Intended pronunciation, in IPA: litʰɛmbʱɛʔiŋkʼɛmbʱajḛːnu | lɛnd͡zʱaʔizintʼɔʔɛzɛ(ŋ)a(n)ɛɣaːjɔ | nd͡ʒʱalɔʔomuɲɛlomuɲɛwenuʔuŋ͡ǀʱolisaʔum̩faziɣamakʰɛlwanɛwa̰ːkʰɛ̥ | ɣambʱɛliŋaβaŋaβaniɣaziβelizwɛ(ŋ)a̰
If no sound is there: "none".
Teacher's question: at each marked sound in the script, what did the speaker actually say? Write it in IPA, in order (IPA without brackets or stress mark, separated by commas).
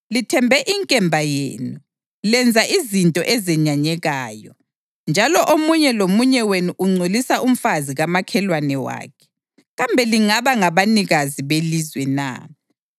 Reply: ɲ, ɲ, n